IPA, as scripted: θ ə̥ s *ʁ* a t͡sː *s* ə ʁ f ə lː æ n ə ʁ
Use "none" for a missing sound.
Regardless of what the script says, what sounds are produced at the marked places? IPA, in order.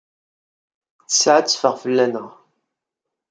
ʕ, f

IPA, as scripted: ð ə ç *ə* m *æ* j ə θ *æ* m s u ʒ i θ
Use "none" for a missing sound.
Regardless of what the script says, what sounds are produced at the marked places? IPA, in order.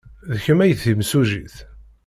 ə, æ, i

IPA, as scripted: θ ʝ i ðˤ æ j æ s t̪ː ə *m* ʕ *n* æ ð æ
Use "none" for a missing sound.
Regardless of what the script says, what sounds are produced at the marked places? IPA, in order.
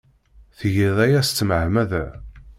m, m

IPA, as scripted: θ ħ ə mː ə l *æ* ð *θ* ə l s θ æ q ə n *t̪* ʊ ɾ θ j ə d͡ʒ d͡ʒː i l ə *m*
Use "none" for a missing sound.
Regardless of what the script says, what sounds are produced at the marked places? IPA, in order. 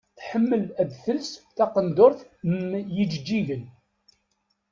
æ, θ, d̪, n

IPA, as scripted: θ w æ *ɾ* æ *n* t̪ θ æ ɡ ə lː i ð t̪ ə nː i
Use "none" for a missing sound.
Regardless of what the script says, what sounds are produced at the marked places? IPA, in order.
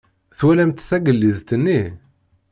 l, m

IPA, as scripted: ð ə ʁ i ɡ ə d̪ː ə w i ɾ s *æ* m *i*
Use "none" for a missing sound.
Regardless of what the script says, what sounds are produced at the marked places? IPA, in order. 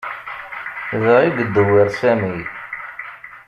æ, i

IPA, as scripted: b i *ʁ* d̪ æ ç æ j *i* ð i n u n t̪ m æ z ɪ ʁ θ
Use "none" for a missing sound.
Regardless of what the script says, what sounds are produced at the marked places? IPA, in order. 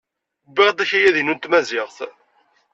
ʁ, æ

